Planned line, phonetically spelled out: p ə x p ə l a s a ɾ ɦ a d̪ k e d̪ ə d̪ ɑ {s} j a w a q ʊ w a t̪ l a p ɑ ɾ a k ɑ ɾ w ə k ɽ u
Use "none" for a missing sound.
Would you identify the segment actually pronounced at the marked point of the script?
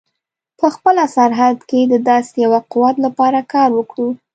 s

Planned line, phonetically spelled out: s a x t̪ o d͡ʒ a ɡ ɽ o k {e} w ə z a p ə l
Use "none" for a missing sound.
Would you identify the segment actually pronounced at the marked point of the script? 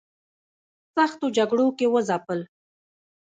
e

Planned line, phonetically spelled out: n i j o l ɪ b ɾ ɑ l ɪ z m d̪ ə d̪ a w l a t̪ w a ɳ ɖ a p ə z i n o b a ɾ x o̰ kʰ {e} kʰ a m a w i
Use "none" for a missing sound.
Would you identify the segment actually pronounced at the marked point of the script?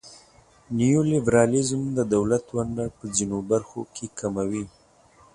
e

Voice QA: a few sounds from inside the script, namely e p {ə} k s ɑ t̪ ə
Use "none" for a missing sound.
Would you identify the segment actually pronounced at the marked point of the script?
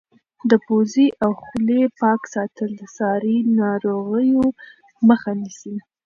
ɑ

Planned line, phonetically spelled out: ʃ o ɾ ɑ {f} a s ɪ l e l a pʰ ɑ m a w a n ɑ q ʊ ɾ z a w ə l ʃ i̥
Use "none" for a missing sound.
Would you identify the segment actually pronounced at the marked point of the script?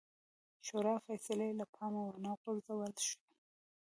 f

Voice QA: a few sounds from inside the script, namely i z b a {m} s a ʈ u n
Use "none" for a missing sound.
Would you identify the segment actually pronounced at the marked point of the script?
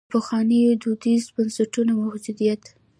n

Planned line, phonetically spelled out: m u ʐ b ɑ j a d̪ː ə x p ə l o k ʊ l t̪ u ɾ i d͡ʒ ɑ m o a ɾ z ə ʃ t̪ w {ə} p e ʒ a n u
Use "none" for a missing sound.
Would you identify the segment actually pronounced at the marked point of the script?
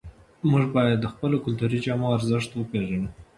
ə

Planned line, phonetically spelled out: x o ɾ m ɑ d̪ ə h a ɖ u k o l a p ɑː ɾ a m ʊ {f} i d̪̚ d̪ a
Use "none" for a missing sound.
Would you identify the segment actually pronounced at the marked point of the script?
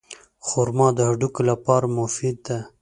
f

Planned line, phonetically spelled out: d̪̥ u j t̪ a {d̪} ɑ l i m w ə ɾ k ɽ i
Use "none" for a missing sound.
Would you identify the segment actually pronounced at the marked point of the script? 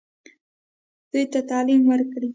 t̪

